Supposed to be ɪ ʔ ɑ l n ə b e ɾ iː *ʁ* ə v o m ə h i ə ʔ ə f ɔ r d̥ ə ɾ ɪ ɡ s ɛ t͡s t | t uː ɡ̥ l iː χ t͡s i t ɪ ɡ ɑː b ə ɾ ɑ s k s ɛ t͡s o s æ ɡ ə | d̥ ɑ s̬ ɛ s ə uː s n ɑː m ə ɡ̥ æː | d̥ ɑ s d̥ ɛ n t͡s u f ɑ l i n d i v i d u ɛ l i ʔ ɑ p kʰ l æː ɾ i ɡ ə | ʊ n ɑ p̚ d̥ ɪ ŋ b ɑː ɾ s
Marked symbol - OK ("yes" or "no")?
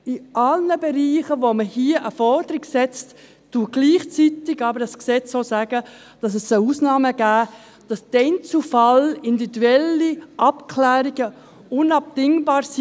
no